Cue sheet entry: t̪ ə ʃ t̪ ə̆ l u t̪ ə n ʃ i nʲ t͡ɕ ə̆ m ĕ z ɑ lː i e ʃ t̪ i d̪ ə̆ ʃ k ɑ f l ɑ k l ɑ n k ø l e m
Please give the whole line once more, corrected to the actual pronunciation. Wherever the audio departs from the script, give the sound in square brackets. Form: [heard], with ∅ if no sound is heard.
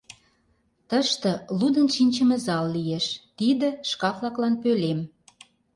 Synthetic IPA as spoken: t̪ ə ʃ t̪ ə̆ l u [d̪] ə n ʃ i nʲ t͡ɕ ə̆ m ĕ z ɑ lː i e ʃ t̪ i d̪ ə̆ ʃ k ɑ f l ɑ k l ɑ n [p] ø l e m